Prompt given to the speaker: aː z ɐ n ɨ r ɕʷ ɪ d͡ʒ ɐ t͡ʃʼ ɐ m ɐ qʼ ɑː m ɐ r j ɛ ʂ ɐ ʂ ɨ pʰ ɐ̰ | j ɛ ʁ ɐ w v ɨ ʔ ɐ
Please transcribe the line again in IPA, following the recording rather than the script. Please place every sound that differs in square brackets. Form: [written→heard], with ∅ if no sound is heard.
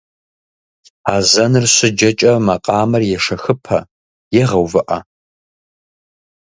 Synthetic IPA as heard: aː z ɐ n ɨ r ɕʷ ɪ d͡ʒ ɐ t͡ʃʼ ɐ m ɐ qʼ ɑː m ɐ r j ɛ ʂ ɐ [ʂ→x] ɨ pʰ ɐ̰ | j ɛ ʁ ɐ w v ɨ ʔ ɐ